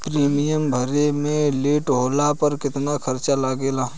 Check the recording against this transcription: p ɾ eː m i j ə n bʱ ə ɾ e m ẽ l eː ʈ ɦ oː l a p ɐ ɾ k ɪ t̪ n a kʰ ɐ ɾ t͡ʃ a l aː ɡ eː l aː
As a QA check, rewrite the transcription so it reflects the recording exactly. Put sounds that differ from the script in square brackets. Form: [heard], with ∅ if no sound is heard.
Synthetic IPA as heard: p ɾ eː m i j ə [m] bʱ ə ɾ e m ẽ l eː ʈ ɦ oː l a p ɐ ɾ k ɪ t̪ n a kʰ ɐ ɾ t͡ʃ a l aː ɡ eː l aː